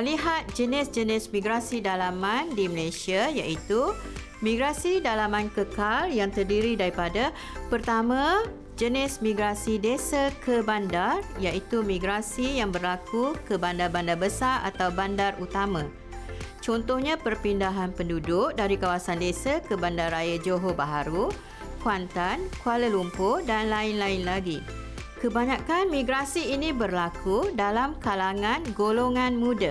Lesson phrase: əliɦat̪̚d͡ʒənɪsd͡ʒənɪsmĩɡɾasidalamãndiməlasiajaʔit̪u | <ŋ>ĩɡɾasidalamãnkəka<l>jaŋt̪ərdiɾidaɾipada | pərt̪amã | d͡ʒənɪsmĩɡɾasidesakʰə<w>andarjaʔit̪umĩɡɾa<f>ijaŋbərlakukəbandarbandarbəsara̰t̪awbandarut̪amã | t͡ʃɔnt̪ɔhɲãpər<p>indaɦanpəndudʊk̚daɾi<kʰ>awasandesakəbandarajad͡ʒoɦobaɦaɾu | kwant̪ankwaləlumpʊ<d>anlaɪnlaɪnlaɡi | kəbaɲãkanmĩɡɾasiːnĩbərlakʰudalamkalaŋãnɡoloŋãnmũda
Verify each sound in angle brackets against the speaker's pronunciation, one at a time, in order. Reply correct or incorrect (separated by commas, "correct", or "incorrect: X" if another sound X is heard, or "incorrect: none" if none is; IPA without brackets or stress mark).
incorrect: m, correct, incorrect: b, incorrect: s, correct, incorrect: k, correct